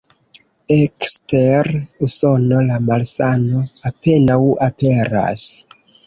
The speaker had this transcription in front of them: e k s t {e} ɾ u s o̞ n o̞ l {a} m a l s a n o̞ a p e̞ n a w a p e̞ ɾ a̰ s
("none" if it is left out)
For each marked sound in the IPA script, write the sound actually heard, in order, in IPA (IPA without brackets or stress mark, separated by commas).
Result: e, a